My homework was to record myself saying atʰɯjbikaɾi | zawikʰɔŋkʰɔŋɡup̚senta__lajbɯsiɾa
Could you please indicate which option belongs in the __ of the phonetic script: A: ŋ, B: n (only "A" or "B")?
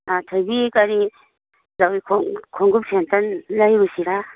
B